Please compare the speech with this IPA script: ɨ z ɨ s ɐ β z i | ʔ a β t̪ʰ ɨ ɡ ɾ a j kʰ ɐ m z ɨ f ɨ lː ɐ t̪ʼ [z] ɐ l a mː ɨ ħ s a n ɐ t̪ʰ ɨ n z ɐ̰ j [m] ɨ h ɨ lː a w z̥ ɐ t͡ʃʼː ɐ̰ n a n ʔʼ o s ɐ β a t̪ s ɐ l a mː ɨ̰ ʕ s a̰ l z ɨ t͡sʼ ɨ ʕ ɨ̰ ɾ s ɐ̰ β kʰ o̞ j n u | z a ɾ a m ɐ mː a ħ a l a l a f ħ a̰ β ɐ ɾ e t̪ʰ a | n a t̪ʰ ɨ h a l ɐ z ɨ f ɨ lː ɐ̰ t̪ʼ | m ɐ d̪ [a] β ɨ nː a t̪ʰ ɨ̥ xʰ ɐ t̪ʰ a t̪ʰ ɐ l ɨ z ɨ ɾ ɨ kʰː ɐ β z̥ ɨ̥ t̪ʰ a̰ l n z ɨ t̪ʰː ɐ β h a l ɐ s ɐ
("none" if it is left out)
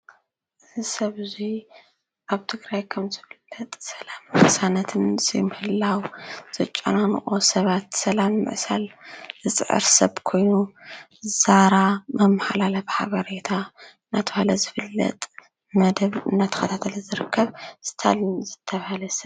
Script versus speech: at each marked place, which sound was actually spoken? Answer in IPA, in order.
s, m, ɐ

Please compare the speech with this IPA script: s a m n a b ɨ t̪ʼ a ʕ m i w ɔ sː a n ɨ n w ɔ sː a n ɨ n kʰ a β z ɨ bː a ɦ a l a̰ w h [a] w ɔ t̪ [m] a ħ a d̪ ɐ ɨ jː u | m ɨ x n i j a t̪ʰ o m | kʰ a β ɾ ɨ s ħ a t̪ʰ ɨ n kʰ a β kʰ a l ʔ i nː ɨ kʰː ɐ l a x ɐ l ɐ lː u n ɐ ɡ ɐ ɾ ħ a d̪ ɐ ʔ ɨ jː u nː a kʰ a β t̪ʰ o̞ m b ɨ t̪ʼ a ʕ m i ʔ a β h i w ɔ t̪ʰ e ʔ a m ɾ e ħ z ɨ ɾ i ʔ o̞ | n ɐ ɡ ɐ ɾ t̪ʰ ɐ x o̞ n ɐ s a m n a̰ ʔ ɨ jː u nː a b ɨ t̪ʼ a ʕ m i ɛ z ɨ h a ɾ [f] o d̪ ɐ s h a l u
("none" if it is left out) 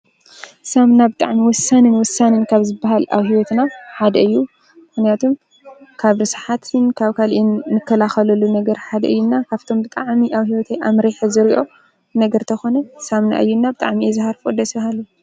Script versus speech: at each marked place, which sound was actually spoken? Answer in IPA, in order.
i, n, f

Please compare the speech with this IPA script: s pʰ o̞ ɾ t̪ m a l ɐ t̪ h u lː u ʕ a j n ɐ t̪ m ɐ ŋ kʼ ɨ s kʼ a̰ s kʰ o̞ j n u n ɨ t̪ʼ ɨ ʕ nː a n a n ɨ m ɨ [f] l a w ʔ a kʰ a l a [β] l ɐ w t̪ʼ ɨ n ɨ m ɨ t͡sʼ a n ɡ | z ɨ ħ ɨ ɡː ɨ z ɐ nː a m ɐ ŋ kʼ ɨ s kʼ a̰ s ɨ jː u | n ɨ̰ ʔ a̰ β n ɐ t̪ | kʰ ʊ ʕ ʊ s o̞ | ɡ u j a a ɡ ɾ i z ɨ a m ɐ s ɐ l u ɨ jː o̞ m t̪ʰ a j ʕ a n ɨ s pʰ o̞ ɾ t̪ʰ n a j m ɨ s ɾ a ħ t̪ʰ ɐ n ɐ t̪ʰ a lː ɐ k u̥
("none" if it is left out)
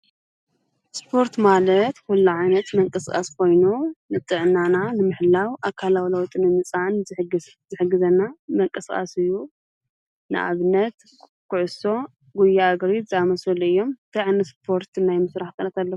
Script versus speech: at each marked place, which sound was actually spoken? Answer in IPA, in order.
ħ, w

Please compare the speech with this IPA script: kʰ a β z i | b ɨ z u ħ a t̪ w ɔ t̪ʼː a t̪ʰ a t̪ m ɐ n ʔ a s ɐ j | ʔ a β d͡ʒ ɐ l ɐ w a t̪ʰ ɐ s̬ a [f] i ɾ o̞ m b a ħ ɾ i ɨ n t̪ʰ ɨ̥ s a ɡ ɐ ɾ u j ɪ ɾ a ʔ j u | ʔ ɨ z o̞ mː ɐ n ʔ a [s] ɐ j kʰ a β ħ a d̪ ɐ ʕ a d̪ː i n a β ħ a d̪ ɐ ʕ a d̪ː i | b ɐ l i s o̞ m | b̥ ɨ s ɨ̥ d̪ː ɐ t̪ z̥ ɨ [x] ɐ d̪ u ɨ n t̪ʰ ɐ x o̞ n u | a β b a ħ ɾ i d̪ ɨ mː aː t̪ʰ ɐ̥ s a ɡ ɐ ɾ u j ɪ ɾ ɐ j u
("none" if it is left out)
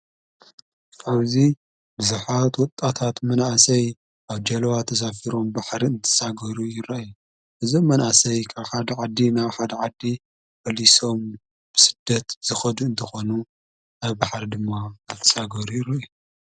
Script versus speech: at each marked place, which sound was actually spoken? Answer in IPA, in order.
f, s, x

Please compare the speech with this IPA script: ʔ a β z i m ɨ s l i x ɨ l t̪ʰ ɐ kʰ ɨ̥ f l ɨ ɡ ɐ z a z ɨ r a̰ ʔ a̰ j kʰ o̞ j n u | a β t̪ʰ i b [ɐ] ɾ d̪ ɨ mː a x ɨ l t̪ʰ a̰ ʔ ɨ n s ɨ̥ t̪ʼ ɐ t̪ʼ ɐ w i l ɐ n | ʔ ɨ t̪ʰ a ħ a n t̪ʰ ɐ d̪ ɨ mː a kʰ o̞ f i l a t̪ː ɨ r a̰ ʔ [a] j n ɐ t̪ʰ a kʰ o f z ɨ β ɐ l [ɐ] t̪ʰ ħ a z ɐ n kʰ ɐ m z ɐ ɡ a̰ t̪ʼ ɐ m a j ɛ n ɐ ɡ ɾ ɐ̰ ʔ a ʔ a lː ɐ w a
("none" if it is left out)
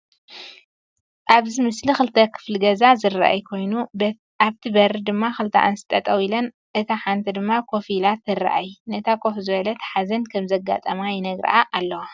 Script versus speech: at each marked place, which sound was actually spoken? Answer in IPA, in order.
ɐ, a, ɐ

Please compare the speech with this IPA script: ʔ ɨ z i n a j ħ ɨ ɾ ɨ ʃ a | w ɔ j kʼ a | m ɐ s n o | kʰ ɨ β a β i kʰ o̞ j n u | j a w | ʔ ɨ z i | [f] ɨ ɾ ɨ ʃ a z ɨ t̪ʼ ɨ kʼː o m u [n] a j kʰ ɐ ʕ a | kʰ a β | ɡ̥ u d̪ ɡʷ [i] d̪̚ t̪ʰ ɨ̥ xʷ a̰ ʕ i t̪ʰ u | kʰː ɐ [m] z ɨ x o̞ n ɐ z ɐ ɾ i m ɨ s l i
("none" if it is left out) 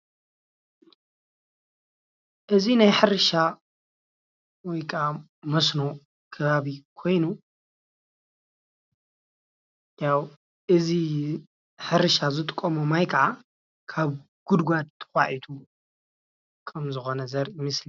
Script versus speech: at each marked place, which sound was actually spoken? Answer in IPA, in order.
ħ, m, a, m

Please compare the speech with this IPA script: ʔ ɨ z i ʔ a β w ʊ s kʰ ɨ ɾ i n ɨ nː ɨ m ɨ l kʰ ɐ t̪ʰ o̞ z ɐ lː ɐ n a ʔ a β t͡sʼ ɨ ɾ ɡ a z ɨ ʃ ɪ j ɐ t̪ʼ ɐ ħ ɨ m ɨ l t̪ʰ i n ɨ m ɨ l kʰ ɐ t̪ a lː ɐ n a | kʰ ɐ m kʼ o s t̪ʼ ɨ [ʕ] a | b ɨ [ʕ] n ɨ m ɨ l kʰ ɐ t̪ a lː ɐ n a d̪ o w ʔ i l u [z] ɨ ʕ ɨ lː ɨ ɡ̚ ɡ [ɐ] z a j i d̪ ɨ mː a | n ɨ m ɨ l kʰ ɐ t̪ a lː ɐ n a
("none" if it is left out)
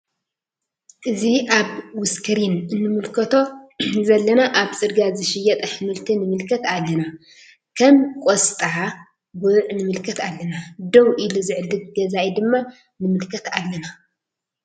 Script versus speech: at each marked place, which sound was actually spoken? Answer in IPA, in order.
ʕ, ʕ, z, ɐ

